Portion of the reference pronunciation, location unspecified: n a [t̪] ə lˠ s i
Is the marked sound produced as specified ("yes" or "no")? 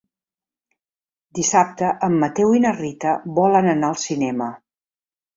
no